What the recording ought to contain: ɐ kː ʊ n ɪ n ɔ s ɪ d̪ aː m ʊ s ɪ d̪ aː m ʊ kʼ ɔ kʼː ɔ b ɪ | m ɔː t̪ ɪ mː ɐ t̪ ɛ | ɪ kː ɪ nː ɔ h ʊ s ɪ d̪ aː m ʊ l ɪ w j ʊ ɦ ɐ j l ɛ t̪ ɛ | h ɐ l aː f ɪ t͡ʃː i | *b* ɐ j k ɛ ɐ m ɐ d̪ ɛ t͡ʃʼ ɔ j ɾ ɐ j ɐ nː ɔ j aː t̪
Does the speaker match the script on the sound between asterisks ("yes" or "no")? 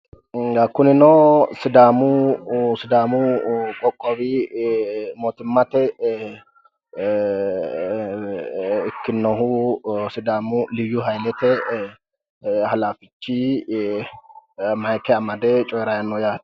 no